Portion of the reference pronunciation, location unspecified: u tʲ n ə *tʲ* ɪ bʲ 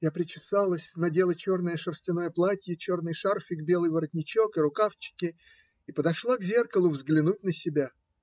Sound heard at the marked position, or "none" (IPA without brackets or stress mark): sʲ